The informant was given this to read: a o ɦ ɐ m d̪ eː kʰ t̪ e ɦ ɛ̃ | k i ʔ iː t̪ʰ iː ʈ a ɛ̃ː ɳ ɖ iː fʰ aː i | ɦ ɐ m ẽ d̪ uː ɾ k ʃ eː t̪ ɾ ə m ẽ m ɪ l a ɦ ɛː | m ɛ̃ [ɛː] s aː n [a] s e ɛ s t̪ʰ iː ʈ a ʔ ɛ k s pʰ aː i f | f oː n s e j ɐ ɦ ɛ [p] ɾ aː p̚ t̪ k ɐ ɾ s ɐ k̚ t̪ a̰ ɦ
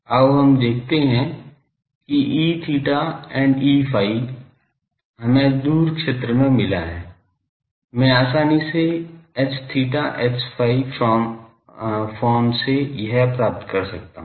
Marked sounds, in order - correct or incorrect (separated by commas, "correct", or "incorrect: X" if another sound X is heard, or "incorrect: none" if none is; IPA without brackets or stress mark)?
incorrect: aː, incorrect: i, correct